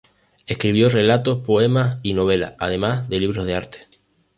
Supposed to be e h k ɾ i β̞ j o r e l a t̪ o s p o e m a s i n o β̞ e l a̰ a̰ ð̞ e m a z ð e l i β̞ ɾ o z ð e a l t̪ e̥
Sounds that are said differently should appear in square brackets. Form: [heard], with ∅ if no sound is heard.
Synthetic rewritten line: e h k ɾ i β̞ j o r e l a t̪ o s p o e m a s i n o β̞ e l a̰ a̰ ð̞ e m a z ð e l i β̞ ɾ o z ð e a [ɾ] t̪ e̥

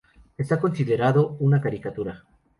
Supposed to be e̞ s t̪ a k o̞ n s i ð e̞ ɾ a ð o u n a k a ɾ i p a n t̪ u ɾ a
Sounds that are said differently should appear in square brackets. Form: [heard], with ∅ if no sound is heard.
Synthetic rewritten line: e̞ s t̪ a k o̞ n s i ð e̞ ɾ a ð o u n a k a ɾ i [k] a [∅] t̪ u ɾ a

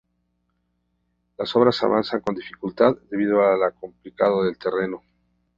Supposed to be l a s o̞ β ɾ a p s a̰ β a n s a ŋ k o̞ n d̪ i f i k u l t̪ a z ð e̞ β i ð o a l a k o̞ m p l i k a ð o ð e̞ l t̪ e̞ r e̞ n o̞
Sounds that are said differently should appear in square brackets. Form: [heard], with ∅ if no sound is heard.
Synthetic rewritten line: l a s o̞ β ɾ a [∅] s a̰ β a n s a ŋ k o̞ n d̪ i f i k u l t̪ a [ð] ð e̞ β i ð o a l a k o̞ m p l i k a ð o ð e̞ l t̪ e̞ r e̞ n o̞

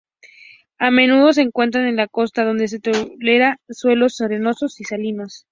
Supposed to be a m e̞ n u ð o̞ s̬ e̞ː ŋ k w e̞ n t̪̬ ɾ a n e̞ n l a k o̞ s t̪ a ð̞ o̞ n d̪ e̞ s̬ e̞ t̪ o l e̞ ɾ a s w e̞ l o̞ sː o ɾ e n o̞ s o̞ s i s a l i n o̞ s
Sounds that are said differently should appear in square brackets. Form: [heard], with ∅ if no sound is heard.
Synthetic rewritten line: a m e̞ n u ð o̞ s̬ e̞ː ŋ k w e̞ n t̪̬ ɾ a n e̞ n l a k o̞ s t̪ a ð̞ o̞ n d̪ e̞ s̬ e̞ t̪ o l e̞ ɾ a s w e̞ l o̞ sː o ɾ e n o̞ s o̞ s i s a l i n o̞ s

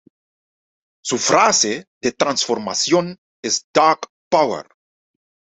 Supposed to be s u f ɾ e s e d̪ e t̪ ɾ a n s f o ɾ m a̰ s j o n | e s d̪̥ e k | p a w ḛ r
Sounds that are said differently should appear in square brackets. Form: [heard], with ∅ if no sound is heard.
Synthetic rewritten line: s u f ɾ [a] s e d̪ e t̪ ɾ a n s f o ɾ m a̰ s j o n | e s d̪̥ [a] k | p a w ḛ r

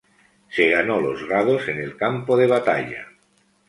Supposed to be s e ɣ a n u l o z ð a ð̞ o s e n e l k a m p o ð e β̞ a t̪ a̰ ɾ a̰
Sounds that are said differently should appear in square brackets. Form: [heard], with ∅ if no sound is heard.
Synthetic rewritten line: s e ɣ a n [o] l o z [ɣ] a ð̞ o s e n e l k a m p o ð e β̞ a t̪ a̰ [ʎ] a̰

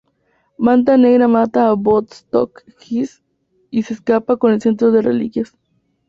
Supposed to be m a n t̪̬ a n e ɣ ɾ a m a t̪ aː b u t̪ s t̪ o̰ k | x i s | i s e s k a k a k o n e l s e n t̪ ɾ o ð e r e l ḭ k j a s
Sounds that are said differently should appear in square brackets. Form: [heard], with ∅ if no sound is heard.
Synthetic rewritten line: m a n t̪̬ a n e ɣ ɾ a m a t̪ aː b [o] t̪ s t̪ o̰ k | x i s | i s e s k a [p] a k o n e l s e n t̪ ɾ o ð e r e l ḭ k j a s

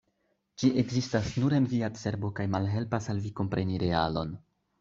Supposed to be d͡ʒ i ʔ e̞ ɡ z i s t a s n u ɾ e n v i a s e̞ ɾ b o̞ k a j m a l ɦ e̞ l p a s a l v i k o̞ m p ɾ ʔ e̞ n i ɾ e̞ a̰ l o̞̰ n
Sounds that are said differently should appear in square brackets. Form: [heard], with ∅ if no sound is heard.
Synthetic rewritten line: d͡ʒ i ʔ e̞ ɡ z i s t a s n u ɾ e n v i a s e̞ ɾ b o̞ k a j m a l ɦ e̞ l p a s a l v i k o̞ m p ɾ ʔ e̞ n i ɾ e̞ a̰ l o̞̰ n

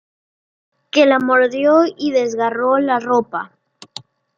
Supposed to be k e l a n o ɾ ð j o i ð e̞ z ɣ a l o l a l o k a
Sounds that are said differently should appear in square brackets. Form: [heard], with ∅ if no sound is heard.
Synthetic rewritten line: k e l a [m] o ɾ ð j o i ð e̞ z ɣ a [r] o l a [r] o [p] a

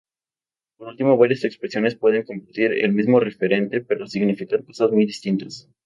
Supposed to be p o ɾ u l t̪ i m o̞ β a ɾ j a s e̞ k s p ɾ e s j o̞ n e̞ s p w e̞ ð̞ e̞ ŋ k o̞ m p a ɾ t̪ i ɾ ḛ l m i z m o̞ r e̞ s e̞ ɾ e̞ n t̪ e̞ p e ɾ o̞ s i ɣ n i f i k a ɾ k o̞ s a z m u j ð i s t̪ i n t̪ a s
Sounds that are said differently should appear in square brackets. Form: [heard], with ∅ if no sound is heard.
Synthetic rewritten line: p o ɾ u l t̪ i m o̞ β a ɾ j a s e̞ k s p ɾ e s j o̞ n e̞ s p w e̞ ð̞ e̞ ŋ k o̞ m p a ɾ t̪ i ɾ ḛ l m i z m o̞ r e̞ [f] e̞ ɾ e̞ n t̪ e̞ p e ɾ o̞ s i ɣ n i f i k a ɾ k o̞ s a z m u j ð i s t̪ i n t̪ a s

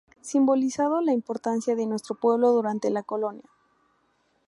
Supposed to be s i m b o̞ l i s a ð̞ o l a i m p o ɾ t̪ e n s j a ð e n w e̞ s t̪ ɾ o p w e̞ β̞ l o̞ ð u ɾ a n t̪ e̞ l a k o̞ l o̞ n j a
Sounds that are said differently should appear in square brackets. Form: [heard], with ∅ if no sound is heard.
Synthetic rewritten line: s i m b o̞ l i s a ð̞ o l a i m p o ɾ t̪ [a] n s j a ð e n w e̞ s t̪ ɾ o p w e̞ β̞ l o̞ ð u ɾ a n t̪ e̞ l a k o̞ l o̞ n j a

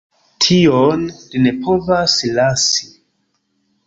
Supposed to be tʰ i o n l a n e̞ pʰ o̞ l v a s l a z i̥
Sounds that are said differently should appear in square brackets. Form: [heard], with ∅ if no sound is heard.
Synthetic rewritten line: tʰ i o n l [i] n e̞ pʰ o̞ [∅] v a s l a [s] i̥

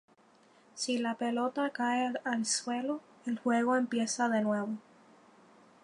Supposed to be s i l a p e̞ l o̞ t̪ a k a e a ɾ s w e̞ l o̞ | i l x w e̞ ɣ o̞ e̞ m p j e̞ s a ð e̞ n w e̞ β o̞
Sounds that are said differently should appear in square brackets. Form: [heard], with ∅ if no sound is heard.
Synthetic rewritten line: s i l a p e̞ l o̞ t̪ a k a e a [l] s w e̞ l o̞ | [e] l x w e̞ ɣ o̞ e̞ m p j e̞ s a ð e̞ n w e̞ β o̞

